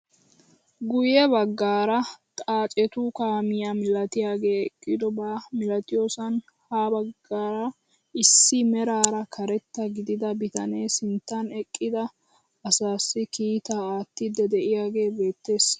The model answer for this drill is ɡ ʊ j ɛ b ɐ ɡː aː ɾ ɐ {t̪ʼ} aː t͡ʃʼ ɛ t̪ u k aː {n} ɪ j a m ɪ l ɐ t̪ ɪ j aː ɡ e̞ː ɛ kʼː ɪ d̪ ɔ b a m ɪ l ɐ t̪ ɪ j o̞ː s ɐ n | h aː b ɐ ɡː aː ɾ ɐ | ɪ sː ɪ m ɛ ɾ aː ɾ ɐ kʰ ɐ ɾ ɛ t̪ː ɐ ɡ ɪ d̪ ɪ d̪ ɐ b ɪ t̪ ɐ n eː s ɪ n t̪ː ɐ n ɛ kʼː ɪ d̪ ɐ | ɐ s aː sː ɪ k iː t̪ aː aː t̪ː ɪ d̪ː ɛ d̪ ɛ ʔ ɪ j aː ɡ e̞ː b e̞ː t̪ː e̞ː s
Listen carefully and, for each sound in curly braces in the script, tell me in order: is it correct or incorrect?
correct, incorrect

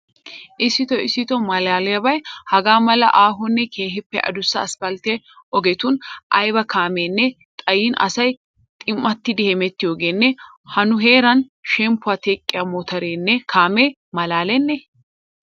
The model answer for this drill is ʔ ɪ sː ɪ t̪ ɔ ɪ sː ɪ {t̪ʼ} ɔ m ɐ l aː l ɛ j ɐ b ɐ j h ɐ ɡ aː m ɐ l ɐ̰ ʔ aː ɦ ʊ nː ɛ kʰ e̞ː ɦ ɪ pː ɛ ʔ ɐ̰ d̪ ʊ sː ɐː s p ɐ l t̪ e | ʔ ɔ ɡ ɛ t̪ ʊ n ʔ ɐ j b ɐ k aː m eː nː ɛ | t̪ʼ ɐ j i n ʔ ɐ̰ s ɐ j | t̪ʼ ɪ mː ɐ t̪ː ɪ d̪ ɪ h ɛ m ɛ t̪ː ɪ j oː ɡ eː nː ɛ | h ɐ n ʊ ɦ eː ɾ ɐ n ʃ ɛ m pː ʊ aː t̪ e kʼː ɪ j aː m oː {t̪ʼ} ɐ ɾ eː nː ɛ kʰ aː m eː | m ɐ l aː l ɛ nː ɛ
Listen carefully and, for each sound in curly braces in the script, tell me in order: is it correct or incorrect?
incorrect, incorrect

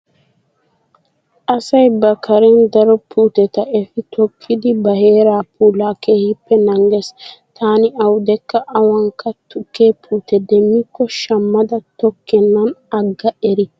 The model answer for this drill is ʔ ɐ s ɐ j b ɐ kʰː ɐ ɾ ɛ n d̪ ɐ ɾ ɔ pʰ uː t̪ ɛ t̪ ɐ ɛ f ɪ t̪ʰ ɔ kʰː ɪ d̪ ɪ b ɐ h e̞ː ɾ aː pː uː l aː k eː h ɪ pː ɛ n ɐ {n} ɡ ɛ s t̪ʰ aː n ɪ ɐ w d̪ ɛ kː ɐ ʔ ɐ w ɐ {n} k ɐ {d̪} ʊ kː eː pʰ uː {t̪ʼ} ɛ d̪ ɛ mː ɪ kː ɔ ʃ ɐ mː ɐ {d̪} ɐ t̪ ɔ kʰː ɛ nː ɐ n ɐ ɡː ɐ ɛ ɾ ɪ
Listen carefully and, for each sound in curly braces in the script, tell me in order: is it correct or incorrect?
incorrect, incorrect, incorrect, incorrect, correct

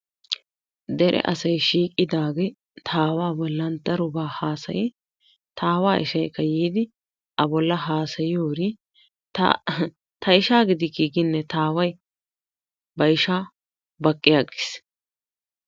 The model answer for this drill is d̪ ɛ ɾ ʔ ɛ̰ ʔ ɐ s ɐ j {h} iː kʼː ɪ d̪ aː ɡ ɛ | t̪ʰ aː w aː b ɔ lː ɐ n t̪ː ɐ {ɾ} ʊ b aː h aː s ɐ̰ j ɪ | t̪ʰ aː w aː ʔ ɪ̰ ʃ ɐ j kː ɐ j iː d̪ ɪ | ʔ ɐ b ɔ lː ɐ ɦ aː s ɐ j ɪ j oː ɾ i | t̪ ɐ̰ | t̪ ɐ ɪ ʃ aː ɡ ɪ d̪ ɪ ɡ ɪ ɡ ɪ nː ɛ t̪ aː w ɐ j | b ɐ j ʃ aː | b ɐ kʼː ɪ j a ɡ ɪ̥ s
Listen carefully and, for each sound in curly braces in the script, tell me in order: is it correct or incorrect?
incorrect, correct

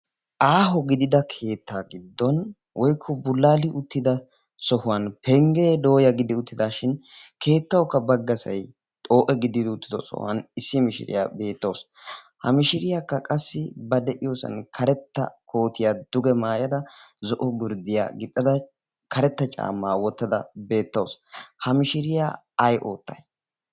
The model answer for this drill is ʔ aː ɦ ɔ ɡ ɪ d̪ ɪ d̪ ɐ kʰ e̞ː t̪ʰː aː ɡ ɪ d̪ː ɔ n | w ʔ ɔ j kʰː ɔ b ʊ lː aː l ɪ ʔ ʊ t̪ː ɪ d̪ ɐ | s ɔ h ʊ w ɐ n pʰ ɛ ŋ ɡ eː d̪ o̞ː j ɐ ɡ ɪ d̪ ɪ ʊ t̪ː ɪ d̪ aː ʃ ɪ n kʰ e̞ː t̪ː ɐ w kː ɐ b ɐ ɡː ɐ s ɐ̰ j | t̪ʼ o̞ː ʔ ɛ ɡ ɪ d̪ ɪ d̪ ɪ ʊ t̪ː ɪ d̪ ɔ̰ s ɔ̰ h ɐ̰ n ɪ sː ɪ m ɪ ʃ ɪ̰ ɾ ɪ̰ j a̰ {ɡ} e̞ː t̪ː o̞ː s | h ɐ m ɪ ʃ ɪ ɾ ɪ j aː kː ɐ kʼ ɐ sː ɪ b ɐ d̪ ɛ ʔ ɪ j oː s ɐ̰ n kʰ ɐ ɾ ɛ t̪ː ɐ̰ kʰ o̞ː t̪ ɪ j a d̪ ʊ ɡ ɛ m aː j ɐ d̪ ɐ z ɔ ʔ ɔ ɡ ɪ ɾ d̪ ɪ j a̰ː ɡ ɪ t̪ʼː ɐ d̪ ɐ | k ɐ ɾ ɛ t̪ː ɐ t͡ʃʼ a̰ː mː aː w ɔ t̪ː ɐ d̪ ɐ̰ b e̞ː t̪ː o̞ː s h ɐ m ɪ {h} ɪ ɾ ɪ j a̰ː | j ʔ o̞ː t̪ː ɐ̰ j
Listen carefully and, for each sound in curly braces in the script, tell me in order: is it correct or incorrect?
incorrect, incorrect

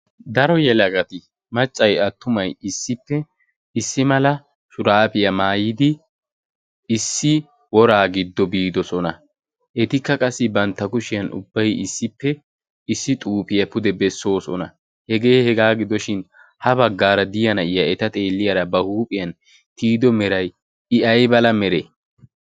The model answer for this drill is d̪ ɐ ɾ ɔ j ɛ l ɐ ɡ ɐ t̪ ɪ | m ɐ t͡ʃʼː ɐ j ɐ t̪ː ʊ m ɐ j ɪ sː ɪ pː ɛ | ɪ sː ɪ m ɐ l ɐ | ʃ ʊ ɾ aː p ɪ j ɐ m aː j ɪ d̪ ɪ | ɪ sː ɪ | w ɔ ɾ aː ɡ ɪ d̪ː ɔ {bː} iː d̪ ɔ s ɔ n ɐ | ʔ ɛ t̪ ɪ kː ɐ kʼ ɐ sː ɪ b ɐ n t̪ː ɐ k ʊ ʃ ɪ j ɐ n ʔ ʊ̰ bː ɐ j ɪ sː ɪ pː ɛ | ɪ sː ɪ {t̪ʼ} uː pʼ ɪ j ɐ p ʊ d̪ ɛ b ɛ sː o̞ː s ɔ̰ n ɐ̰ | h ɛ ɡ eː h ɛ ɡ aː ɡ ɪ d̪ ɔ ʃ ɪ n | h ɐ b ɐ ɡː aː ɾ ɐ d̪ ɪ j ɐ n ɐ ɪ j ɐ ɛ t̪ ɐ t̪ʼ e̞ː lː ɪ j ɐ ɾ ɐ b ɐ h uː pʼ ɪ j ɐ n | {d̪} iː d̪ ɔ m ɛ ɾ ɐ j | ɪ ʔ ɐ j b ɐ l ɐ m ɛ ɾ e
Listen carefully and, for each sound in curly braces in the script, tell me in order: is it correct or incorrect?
incorrect, correct, incorrect

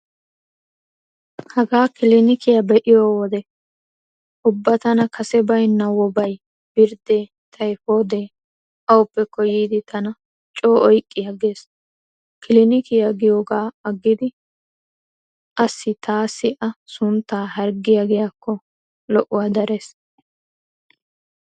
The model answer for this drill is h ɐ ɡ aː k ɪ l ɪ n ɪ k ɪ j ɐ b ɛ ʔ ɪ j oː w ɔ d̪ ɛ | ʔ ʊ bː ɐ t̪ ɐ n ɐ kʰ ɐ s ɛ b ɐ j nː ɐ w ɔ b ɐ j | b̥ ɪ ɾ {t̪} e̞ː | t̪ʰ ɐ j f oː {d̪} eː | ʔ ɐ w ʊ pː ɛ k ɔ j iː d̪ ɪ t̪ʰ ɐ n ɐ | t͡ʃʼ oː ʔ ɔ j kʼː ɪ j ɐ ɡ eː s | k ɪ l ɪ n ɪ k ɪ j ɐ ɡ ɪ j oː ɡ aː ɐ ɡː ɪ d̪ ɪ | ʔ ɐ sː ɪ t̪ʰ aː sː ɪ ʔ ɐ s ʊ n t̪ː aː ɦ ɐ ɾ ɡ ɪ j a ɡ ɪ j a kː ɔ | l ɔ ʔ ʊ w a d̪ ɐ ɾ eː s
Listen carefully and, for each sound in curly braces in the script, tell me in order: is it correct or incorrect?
incorrect, correct

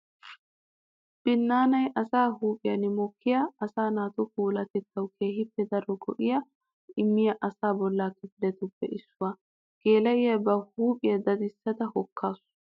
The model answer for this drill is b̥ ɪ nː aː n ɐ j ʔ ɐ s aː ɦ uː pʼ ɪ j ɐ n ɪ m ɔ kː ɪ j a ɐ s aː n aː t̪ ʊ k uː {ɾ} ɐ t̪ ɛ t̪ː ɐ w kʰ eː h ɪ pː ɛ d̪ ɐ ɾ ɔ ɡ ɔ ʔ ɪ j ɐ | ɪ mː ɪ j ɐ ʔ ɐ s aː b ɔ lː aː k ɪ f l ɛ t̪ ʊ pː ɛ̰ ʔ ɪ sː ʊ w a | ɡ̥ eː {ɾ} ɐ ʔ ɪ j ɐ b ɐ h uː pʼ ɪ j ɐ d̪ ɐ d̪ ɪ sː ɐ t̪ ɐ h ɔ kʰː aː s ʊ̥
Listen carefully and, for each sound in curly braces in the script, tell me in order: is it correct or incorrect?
incorrect, incorrect

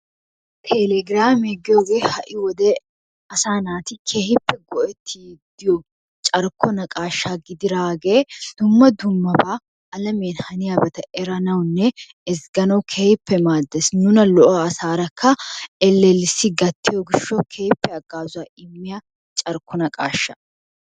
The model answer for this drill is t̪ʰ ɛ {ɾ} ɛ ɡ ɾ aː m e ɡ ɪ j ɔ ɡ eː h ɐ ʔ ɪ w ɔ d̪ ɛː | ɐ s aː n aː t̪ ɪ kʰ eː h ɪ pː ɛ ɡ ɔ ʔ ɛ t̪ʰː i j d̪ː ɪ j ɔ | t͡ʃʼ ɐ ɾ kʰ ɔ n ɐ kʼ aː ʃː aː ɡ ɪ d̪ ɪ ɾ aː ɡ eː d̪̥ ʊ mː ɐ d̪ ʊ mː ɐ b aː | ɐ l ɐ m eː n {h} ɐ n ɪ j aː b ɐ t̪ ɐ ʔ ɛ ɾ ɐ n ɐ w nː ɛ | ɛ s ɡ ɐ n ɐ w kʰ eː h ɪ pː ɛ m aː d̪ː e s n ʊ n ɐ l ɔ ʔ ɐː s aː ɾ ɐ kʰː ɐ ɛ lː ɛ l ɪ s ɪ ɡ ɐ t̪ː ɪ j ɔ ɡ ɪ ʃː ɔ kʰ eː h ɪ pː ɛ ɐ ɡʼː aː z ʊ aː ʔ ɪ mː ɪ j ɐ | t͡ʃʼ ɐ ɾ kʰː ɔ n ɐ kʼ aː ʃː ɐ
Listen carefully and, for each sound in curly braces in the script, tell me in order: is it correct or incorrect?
incorrect, correct

